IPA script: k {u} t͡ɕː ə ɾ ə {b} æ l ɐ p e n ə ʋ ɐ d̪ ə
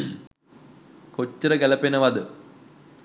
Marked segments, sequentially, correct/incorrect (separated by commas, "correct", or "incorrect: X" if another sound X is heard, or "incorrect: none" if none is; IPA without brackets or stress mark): incorrect: o, incorrect: ɡ